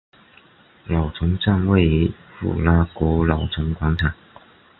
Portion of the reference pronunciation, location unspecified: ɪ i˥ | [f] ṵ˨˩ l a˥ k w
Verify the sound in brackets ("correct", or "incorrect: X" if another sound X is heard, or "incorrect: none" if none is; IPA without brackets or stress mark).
correct